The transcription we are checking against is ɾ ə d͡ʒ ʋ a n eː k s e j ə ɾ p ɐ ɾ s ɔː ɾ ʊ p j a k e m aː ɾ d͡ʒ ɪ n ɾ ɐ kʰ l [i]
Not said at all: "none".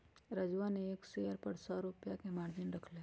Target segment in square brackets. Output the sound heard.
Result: e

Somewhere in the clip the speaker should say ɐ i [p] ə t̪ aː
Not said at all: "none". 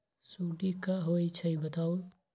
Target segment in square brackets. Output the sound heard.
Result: b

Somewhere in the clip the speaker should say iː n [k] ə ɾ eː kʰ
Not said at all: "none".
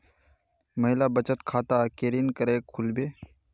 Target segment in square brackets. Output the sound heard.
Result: k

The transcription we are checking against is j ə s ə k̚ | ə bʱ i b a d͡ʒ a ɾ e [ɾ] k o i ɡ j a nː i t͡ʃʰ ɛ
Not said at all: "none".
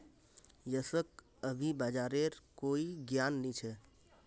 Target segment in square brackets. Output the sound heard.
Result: ɾ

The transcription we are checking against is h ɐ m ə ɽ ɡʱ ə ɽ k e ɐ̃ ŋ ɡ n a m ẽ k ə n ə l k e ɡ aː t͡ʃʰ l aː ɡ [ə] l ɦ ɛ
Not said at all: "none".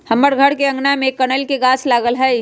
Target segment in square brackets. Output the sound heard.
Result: ə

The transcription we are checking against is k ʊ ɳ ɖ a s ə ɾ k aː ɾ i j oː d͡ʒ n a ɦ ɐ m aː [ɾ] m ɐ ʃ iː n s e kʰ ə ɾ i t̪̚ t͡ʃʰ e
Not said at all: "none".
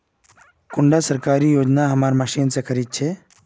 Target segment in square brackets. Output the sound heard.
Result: ɾ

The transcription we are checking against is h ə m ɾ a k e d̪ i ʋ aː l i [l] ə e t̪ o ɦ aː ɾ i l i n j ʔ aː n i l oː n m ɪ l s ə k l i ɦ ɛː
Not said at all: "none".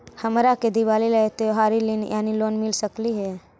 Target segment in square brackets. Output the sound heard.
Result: l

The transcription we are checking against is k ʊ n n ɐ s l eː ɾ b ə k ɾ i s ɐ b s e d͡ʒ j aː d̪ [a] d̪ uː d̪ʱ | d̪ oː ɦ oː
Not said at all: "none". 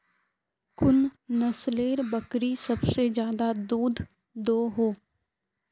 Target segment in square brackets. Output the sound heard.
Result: a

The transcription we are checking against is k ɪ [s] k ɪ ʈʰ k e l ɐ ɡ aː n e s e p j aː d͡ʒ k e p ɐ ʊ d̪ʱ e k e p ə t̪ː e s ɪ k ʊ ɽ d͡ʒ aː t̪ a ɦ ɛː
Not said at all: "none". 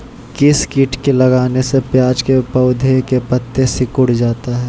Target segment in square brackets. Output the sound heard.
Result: s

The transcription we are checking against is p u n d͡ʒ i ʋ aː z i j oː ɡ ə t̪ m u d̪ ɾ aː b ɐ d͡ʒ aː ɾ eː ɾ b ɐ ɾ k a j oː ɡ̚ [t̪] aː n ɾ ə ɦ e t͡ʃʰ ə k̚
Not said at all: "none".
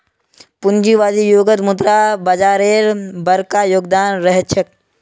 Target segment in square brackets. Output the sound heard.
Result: d̪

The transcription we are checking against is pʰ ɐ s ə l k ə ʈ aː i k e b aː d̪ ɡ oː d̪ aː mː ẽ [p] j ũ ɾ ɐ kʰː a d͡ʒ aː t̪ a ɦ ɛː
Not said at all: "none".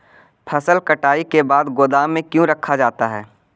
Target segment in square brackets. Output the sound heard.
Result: k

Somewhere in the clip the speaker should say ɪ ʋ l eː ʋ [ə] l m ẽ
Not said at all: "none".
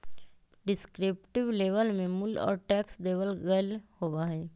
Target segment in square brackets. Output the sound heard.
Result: ə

